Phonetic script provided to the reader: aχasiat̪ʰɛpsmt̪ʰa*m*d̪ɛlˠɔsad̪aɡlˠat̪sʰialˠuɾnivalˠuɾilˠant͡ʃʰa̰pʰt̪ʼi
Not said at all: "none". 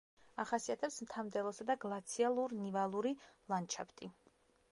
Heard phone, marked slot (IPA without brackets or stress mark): m